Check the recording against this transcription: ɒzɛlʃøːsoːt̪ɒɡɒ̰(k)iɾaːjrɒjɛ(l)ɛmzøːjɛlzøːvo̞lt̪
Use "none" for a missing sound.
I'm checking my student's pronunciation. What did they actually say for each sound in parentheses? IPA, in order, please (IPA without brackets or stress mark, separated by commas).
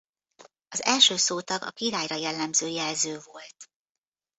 k, lː